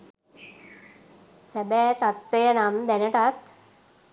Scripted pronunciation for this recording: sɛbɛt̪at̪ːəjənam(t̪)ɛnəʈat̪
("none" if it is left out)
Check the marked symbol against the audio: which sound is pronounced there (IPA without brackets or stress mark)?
d̪